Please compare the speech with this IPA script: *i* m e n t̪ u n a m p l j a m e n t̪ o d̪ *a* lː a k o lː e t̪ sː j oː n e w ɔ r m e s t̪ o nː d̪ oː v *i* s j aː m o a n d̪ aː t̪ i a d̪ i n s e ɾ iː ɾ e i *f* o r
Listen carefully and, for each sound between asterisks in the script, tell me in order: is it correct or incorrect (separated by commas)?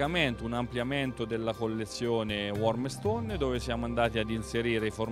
incorrect, incorrect, incorrect, correct